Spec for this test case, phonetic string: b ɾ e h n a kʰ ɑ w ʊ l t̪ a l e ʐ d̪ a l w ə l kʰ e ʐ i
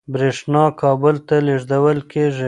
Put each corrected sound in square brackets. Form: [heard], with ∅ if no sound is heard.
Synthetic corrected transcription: b ɾ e [ʂ] n [ɑ] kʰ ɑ [b] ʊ l t̪ a l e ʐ d̪ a [∅] w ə l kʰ e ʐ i